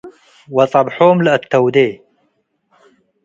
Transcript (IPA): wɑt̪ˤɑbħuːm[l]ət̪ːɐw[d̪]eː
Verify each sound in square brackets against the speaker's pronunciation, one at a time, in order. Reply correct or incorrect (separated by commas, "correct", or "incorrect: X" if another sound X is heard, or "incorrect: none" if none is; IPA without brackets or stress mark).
correct, correct